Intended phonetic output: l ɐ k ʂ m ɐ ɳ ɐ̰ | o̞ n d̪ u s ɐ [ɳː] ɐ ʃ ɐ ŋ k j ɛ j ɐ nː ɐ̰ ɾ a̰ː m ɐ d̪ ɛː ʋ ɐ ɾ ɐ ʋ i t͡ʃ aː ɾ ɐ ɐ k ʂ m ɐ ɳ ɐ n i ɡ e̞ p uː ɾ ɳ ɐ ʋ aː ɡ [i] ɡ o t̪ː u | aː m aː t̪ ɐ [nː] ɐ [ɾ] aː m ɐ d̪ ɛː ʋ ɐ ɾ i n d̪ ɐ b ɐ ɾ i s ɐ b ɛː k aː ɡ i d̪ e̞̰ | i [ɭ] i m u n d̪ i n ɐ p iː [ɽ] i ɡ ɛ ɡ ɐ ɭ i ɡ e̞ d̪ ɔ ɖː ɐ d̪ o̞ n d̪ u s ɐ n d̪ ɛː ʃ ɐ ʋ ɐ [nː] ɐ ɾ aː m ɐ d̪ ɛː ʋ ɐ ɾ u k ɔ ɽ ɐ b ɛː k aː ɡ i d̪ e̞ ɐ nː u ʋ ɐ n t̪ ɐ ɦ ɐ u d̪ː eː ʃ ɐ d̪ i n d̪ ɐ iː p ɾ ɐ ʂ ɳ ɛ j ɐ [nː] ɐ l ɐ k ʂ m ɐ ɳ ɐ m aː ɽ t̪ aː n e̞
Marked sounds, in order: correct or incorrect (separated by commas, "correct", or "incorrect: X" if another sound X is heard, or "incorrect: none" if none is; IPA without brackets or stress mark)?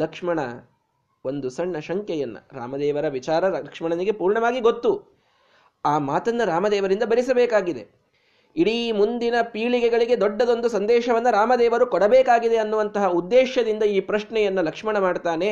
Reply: correct, correct, correct, correct, incorrect: ɽ, incorrect: ɭ, correct, correct